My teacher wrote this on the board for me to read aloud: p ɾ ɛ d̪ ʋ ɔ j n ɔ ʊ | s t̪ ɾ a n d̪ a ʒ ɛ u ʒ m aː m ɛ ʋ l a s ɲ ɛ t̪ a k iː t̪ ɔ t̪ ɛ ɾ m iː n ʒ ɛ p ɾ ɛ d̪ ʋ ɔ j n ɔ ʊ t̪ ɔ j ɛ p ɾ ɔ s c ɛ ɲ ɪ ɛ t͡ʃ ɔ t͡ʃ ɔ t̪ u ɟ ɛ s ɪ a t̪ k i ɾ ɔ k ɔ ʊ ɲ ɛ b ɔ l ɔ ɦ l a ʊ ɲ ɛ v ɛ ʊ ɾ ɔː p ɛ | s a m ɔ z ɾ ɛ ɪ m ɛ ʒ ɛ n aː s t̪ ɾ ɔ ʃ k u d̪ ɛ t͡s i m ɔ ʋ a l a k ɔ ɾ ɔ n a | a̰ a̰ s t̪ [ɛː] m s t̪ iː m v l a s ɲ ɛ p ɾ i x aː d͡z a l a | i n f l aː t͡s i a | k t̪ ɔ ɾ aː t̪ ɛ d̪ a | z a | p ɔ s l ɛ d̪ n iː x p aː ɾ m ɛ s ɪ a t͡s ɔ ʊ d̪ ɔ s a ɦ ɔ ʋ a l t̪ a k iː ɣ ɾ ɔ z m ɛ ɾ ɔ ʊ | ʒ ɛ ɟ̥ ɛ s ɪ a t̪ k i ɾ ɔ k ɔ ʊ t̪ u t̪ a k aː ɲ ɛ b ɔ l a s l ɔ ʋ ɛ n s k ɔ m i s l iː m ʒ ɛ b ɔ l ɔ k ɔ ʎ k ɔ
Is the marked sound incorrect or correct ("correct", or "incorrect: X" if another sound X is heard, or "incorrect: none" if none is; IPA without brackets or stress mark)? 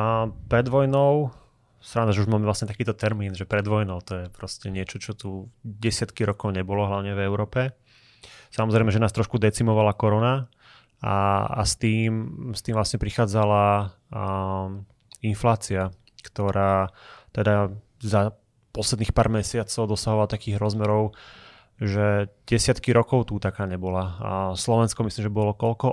incorrect: iː